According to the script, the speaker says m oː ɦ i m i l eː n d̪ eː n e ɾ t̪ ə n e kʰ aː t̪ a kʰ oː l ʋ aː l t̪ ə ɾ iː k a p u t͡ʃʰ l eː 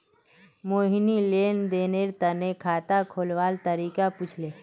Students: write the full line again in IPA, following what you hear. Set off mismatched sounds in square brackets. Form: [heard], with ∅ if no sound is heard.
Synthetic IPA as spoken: m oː ɦ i [n] i l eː n d̪ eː n e ɾ t̪ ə n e kʰ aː t̪ a kʰ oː l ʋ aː l t̪ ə ɾ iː k a p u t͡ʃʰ l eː